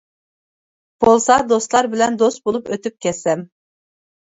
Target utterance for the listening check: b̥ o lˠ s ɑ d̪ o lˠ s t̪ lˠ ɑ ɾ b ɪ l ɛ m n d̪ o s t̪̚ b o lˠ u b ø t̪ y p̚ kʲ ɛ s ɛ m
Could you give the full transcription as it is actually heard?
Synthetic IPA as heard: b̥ o lˠ s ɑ d̪ o s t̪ lˠ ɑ ɾ b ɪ l ɛ n d̪ o s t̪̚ b o lˠ u p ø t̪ y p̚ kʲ ɛ s ɛ m